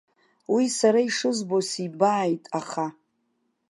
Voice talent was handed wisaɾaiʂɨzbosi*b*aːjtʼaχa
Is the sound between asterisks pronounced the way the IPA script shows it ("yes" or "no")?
yes